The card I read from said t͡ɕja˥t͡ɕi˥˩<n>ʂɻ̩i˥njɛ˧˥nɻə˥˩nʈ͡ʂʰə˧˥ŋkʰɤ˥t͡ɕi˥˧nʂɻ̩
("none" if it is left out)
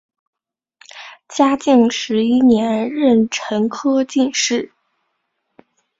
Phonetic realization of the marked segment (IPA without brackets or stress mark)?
ŋ